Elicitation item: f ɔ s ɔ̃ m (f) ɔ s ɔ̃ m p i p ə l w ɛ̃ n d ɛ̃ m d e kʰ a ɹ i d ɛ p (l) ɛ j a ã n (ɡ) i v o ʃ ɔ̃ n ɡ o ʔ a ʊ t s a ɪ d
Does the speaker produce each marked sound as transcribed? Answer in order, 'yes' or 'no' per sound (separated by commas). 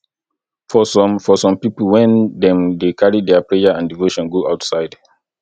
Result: yes, no, no